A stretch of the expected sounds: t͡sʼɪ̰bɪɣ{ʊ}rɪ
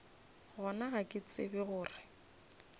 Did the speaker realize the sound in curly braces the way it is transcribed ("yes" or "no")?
no